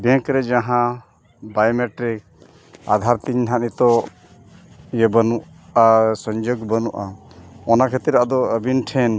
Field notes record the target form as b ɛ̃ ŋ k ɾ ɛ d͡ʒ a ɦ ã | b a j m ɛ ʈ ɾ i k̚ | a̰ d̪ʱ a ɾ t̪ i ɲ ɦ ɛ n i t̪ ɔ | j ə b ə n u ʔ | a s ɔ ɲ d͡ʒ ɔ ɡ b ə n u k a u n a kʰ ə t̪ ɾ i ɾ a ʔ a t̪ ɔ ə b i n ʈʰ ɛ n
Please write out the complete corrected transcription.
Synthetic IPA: b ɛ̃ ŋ k ɾ ɛ d͡ʒ a ɦ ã | b a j m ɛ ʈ ɾ i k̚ | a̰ d̪ʱ a ɾ t̪ i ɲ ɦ a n i t̪ ɔ | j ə b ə n u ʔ | a s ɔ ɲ d͡ʒ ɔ ɡ b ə n u ʔ a ɔ n a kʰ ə t̪ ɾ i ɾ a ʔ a d̪ ɔ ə b i n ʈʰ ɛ n